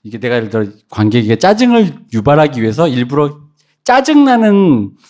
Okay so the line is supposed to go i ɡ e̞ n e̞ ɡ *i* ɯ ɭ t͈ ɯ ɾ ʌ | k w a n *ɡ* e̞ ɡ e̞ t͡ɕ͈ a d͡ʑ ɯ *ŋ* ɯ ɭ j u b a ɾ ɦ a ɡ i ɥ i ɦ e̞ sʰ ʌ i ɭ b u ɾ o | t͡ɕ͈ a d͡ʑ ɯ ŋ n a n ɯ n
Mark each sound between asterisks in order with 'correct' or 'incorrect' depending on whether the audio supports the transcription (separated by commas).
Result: incorrect, correct, correct